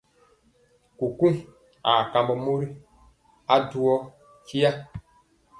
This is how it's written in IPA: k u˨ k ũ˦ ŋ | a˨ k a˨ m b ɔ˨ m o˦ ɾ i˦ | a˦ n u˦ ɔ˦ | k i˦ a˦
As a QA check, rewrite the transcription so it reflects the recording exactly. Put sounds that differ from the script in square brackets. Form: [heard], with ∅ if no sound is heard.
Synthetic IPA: k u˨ k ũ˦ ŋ | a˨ k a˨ m b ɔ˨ m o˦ ɾ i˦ | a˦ [d] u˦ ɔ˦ | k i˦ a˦